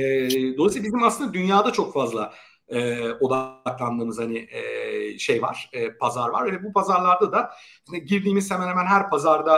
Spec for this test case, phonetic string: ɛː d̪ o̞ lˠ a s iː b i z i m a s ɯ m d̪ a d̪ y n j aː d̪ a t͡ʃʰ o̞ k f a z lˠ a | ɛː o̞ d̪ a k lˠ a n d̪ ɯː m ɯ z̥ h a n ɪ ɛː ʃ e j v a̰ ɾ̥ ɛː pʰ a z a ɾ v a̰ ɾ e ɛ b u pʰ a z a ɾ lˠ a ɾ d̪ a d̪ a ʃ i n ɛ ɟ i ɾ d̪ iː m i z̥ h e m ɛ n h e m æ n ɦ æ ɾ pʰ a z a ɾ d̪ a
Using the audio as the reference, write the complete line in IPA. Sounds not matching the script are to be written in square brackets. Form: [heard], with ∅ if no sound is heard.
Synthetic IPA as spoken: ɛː d̪ o̞ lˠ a s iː b i z i m a s ɯ [n] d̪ a d̪ y n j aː d̪ a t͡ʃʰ o̞ k f a z lˠ a | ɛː o̞ d̪ a k lˠ a n d̪ ɯː m ɯ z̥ h a n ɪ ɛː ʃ e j v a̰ ɾ̥ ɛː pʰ a z a ɾ v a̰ ɾ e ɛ b u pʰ a z a ɾ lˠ a ɾ d̪ a d̪ a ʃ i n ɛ ɟ i ɾ d̪ iː m i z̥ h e m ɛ n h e m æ n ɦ æ ɾ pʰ a z a ɾ d̪ a